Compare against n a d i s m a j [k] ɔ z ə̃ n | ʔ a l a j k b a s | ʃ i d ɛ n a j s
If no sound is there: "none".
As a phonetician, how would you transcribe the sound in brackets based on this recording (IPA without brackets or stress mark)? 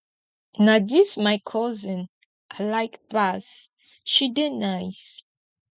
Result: kʰ